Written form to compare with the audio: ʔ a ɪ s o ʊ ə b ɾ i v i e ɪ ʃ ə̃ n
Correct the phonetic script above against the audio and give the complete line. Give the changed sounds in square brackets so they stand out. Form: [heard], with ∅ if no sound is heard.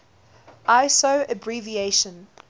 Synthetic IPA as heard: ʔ a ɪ s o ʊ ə b [ɹ] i v i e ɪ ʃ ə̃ n